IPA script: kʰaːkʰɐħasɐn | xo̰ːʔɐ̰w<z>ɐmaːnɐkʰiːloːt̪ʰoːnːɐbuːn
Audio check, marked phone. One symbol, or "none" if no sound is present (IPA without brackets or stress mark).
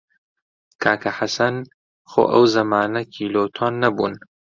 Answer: z